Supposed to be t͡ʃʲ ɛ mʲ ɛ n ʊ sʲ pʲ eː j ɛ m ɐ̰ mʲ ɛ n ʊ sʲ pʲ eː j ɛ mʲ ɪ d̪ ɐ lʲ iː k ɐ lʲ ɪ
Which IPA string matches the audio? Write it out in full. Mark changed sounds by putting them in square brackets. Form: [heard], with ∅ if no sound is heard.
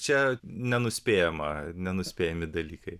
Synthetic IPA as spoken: t͡ʃʲ ɛ [nʲ] ɛ n ʊ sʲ pʲ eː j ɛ m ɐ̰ [nʲ] ɛ n ʊ sʲ pʲ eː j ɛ mʲ ɪ d̪ ɐ lʲ iː k ɐ [∅] ɪ